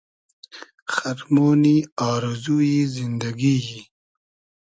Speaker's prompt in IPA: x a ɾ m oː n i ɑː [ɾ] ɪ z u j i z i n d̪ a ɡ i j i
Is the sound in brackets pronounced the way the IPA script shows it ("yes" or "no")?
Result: yes